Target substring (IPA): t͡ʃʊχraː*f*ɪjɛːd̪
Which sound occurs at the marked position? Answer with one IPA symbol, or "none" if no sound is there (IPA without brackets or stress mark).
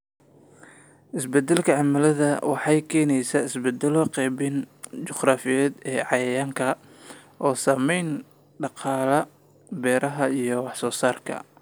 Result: f